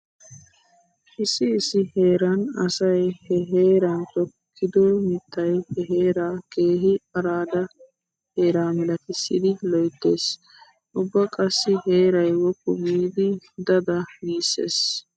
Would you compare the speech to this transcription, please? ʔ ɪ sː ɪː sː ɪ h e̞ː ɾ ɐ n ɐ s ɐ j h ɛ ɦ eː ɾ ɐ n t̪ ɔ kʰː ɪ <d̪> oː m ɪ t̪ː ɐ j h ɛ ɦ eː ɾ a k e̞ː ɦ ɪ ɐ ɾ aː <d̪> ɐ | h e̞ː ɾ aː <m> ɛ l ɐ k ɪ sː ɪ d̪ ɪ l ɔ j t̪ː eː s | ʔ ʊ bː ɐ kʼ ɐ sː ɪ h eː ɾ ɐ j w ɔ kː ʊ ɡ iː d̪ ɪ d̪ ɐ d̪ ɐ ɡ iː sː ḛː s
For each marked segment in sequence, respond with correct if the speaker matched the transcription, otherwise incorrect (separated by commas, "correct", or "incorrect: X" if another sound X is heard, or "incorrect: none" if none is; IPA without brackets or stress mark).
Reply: correct, correct, correct